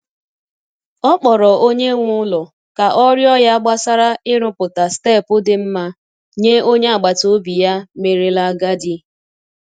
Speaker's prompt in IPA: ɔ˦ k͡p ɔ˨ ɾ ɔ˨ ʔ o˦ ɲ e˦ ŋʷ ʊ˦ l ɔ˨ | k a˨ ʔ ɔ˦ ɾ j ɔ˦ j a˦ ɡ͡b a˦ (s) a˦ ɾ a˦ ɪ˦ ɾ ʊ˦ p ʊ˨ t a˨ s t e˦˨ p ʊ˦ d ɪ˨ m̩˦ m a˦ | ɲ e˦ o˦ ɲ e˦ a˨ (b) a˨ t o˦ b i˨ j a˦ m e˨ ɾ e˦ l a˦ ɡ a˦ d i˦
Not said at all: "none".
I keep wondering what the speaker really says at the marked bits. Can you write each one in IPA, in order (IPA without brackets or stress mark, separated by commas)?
s, ɡ͡b